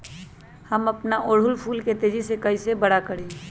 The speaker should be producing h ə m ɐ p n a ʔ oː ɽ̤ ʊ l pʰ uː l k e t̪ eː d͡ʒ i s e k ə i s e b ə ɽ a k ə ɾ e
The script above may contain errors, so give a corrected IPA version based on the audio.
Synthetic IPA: h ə m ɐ p n a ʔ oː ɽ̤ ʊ l pʰ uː l k e t̪ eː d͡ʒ i s e k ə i s e b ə ɽ a k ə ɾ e

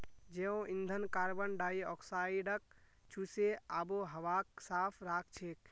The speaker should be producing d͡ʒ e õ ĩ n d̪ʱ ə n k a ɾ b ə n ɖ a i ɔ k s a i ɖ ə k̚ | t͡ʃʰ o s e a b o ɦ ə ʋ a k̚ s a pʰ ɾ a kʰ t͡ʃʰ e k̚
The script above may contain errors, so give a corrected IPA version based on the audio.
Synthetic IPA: d͡ʒ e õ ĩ n d̪ʱ ə n k a ɾ b ə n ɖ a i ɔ k s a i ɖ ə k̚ | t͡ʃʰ u s e a b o ɦ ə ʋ a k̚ s a pʰ ɾ a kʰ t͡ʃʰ e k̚

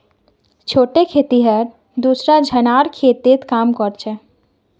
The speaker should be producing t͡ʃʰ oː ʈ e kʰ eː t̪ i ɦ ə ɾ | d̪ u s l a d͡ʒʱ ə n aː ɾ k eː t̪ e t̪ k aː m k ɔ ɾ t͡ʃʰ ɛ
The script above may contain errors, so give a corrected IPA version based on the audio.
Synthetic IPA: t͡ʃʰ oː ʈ e kʰ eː t̪ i ɦ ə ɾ | d̪ u s ɾ a d͡ʒʱ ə n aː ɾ kʰ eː t̪ e t̪ k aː m k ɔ ɾ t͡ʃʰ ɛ

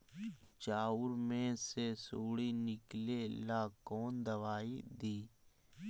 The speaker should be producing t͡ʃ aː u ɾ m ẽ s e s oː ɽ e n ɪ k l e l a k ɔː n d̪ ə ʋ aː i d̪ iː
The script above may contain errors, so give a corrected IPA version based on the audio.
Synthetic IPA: t͡ʃ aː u ɾ m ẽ s e s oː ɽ i n ɪ k l e l a k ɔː n d̪ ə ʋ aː i d̪ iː

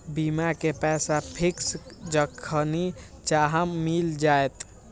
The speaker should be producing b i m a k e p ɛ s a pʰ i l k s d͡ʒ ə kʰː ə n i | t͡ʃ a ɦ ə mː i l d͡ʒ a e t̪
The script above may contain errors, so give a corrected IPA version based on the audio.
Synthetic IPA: b i m a k e p ɛ s a pʰ i k s d͡ʒ ə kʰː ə n i | t͡ʃ a ɦ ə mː i l d͡ʒ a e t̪

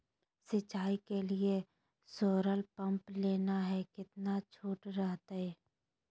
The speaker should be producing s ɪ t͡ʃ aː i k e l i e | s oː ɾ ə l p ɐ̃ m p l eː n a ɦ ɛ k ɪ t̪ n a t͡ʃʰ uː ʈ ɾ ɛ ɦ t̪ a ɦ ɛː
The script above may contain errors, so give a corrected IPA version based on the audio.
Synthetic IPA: s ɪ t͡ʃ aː i k e l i e | s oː ɾ ə l p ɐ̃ m p l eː n a ɦ ɛ k ɪ t̪ n a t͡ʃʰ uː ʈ ɾ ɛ ɦ t̪ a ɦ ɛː

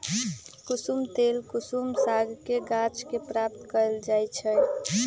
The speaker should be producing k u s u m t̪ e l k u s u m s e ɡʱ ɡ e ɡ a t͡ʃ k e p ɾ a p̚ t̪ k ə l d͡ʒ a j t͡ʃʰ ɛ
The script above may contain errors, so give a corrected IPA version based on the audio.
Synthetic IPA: k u s u m t̪ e l k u s u m s a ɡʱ k e ɡ a t͡ʃ k e p ɾ a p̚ t̪ k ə l d͡ʒ a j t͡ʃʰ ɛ

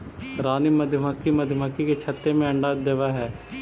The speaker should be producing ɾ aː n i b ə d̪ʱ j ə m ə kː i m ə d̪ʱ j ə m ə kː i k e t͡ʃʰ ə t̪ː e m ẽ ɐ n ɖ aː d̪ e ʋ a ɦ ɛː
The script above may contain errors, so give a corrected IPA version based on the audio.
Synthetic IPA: ɾ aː n i m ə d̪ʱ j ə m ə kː i m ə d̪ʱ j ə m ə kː i k e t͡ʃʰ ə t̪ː e m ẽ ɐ ɳ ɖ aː d̪ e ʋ a ɦ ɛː

